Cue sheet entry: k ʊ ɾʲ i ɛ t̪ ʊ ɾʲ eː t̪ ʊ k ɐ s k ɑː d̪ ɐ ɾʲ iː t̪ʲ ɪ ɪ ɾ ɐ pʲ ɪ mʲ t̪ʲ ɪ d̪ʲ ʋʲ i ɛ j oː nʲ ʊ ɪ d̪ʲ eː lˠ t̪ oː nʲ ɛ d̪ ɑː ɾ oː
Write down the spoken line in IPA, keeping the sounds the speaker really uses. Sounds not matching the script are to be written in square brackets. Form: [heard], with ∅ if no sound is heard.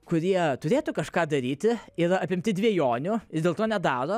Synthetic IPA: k ʊ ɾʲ i ɛ t̪ ʊ ɾʲ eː t̪ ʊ k ɐ [ʃ] k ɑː d̪ ɐ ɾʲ iː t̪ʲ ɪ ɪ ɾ ɐ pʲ ɪ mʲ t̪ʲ ɪ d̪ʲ ʋʲ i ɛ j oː nʲ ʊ ɪ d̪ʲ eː lˠ t̪ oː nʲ ɛ d̪ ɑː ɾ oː